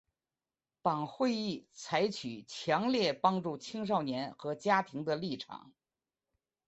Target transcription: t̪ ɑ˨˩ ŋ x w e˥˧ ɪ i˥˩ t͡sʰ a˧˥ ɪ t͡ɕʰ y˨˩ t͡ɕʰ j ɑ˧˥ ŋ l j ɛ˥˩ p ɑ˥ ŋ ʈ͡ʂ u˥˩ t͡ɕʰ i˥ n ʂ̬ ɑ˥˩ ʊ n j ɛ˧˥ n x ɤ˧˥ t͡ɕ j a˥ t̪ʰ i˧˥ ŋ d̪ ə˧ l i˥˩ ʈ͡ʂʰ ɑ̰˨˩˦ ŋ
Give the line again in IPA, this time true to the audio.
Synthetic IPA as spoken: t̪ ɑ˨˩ ŋ x w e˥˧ ɪ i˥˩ t͡sʰ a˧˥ ɪ t͡ɕʰ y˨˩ t͡ɕʰ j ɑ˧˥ ŋ l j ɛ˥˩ p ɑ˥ ŋ ʈ͡ʂ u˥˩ t͡ɕʰ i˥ ŋ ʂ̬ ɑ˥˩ ʊ n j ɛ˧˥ n x ɤ˧˥ t͡ɕ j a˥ t̪ʰ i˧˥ ŋ d̪ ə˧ l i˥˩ ʈ͡ʂʰ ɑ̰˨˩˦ ŋ

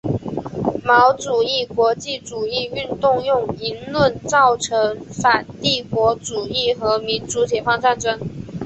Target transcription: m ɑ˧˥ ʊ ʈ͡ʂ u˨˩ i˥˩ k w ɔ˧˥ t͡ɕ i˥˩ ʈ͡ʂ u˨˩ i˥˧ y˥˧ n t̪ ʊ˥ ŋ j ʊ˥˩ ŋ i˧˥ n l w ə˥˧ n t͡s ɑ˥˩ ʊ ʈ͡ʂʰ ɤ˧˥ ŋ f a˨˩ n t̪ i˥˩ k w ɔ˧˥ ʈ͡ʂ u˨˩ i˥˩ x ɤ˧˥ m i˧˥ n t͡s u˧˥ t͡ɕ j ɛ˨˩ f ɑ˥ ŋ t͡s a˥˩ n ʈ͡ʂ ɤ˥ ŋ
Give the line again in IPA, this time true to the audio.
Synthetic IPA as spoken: m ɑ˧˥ ʊ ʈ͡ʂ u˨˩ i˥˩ k w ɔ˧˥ t͡ɕ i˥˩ ʈ͡ʂ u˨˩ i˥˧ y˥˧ n t̪ ʊ˥˧ ŋ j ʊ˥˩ ŋ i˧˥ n l w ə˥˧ n t͡s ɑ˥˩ ʊ ʈ͡ʂʰ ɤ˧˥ ŋ f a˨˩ n t̪ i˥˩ k w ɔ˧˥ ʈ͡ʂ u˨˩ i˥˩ x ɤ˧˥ m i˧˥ n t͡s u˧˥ t͡ɕ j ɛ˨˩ f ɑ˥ ŋ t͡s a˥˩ n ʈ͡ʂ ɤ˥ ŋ

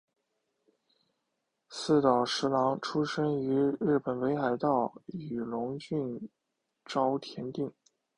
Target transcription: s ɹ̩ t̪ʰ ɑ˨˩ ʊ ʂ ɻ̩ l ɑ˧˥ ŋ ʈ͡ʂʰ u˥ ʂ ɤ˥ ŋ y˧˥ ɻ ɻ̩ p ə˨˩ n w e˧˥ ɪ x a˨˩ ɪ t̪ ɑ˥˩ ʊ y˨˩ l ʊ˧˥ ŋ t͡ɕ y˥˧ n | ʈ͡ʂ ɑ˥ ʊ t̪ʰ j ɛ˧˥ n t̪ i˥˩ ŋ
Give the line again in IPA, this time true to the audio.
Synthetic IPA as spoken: s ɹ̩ t̪ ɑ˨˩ ʊ ʂ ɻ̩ l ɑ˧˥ ŋ ʈ͡ʂʰ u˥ ʂ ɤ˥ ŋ y˧˥ ɻ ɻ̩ p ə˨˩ n w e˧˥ ɪ x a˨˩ ɪ t̪ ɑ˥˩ ʊ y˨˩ l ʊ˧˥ ŋ t͡ɕ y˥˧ n | ʈ͡ʂ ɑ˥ ʊ t̪ʰ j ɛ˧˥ n t̪ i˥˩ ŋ

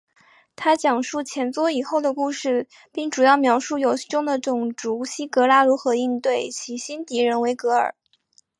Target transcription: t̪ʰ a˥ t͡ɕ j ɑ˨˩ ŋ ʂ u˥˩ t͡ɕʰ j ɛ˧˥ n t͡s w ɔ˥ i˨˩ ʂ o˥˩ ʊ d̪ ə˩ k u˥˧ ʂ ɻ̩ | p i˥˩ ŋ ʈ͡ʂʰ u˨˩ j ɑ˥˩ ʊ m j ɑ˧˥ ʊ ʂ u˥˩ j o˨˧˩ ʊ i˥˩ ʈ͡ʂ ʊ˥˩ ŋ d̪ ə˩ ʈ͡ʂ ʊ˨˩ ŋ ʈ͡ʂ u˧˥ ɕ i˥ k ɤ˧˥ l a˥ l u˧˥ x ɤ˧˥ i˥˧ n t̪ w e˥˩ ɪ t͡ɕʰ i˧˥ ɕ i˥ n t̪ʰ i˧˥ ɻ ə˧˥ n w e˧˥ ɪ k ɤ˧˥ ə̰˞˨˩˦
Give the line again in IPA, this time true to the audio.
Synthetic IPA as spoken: t̪ʰ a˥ t͡ɕ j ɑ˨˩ ŋ ʂ u˥˩ t͡ɕʰ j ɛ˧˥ n t͡s w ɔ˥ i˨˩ x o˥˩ ʊ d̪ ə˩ k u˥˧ ʂ ɻ̩ | p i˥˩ ŋ ʈ͡ʂ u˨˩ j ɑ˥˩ ʊ m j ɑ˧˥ ʊ ʂ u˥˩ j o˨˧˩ ʊ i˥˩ ʈ͡ʂ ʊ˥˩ ŋ d̪ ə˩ ʈ͡ʂ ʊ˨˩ ŋ ʈ͡ʂ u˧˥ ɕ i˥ k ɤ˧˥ l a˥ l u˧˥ x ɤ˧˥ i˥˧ n t̪ w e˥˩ ɪ t͡ɕʰ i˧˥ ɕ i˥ n t̪ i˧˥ ɻ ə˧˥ n w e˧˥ ɪ k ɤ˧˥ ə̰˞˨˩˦

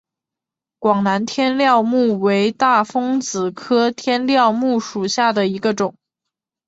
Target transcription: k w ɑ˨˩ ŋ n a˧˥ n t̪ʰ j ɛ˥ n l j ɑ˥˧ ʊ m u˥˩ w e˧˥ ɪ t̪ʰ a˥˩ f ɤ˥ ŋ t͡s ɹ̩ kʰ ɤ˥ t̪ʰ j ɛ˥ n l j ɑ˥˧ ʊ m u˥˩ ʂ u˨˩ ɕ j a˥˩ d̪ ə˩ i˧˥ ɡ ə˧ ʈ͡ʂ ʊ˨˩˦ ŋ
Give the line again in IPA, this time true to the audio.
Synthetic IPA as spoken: k w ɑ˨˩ ŋ n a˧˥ n t̪ʰ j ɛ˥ n l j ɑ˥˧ ʊ m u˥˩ w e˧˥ ɪ t̪ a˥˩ f ɤ˥ ŋ t͡s ɹ̩ kʰ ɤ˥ t̪ʰ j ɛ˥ n l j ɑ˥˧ ʊ m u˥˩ ʂ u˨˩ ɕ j a˥˩ d̪ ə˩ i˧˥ ɡ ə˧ ʈ͡ʂ ʊ˨˩˦ ŋ

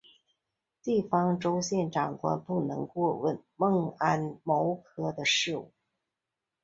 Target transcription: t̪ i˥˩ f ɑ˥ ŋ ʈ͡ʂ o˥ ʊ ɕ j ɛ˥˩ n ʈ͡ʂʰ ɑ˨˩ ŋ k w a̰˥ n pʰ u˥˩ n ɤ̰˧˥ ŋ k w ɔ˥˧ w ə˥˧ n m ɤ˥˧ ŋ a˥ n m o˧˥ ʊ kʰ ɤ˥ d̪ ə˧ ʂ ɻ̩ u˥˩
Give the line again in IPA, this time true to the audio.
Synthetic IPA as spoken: t̪ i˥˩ f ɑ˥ ŋ ʈ͡ʂ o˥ ʊ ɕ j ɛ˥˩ n ʈ͡ʂ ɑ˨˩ ŋ k w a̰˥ n p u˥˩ n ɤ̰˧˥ ŋ k w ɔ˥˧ w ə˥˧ n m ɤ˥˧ ŋ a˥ n m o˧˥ ʊ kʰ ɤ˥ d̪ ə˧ ʂ ɻ̩ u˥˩

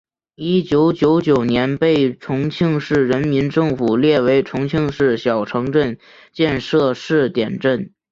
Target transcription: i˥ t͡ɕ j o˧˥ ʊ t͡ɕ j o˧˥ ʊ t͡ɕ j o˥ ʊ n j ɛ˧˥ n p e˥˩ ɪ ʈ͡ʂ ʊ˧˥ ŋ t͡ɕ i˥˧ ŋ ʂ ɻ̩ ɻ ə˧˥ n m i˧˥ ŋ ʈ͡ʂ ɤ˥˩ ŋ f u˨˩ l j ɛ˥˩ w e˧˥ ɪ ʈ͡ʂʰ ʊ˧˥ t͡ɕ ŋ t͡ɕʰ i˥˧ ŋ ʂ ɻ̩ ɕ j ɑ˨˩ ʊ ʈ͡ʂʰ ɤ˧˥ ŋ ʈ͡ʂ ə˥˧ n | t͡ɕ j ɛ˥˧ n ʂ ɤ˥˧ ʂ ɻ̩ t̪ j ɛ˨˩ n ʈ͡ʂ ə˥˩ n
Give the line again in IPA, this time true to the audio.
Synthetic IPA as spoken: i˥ t͡ɕ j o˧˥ ʊ t͡ɕ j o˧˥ ʊ t͡ɕ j o˨˩ ʊ n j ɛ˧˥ n p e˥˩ ɪ ʈ͡ʂʰ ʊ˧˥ ŋ t͡ɕʰ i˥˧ ŋ ʂ ɻ̩ ɻ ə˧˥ n m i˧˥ n ʈ͡ʂ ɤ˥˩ ŋ f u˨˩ l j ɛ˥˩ w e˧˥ ɪ ʈ͡ʂʰ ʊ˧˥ ŋ t͡ɕʰ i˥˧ ŋ ʂ ɻ̩ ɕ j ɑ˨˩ ʊ ʈ͡ʂʰ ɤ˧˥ ŋ ʈ͡ʂ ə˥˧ n | t͡ɕ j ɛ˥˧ n ʂ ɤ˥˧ ʂ ɻ̩ t̪ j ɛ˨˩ n ʈ͡ʂ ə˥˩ n

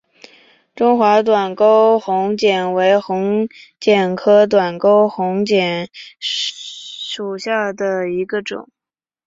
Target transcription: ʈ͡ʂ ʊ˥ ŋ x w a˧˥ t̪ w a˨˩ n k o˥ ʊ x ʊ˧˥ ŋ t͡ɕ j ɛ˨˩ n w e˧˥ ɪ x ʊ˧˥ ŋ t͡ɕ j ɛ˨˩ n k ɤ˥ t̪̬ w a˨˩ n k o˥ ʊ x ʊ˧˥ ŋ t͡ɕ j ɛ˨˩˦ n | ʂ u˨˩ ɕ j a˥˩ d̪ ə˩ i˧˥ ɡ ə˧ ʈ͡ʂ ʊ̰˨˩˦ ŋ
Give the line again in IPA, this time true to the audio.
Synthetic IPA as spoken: ʈ͡ʂ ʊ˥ ŋ x w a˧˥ t̪ w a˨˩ n k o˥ ʊ x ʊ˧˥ ŋ t͡ɕ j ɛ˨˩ n w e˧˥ ɪ x ʊ˧˥ ŋ t͡ɕ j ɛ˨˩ n kʰ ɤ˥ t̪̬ w a˨˩ n k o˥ ʊ x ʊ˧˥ ŋ t͡ɕ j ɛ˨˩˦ n | ʂ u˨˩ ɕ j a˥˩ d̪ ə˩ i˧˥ ɡ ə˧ ʈ͡ʂ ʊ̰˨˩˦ ŋ

